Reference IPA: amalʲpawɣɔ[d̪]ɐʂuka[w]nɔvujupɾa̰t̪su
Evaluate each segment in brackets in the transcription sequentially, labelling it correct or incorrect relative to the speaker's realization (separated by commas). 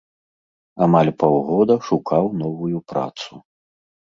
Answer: correct, correct